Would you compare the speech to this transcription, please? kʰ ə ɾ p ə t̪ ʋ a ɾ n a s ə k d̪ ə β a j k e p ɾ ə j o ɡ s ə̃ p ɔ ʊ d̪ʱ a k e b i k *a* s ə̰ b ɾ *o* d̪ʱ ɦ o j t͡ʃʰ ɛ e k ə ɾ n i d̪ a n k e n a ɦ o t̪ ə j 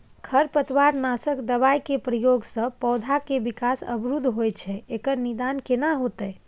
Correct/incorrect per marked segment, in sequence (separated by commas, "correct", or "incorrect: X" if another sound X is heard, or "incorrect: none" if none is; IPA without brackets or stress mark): correct, incorrect: u